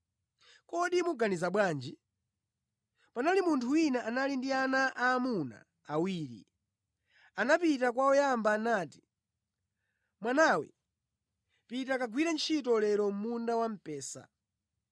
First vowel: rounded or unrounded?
rounded